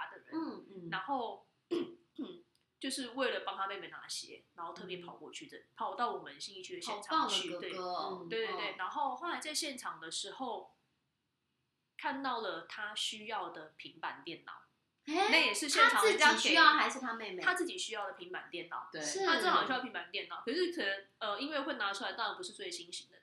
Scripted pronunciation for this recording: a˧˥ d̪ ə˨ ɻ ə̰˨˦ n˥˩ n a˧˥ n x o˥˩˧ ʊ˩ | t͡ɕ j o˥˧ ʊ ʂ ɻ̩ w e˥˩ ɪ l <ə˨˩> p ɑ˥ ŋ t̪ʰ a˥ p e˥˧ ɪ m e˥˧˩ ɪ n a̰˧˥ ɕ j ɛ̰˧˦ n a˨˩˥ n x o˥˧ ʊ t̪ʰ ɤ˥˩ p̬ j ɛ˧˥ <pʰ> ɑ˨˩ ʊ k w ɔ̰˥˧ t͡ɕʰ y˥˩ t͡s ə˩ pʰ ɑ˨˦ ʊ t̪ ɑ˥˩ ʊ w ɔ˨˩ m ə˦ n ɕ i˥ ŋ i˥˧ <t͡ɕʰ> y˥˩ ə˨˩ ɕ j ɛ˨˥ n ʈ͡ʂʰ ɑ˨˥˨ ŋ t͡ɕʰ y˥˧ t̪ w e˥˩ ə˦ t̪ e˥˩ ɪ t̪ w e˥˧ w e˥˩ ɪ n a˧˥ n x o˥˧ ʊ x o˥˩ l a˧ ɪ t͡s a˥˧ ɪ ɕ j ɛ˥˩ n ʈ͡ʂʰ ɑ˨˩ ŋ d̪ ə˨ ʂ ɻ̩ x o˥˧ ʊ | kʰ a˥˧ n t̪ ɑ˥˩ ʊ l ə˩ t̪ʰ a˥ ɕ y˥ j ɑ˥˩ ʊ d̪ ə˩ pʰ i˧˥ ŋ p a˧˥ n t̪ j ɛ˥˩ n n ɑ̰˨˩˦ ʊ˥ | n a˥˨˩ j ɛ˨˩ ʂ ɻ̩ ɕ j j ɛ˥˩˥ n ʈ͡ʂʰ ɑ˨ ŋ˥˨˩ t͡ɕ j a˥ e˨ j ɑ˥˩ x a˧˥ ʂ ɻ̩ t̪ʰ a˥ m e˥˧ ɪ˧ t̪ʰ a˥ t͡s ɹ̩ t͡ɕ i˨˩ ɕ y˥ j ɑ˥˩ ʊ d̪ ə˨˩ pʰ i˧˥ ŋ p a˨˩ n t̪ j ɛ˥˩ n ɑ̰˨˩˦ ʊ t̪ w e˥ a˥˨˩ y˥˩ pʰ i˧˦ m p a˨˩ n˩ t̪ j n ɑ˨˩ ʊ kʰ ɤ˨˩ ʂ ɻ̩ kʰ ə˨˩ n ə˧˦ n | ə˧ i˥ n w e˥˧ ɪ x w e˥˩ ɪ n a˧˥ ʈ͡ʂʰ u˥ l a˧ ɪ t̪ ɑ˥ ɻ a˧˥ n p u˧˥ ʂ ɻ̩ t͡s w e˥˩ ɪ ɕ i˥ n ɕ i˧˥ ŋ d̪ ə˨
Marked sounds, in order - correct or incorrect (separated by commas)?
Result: correct, correct, correct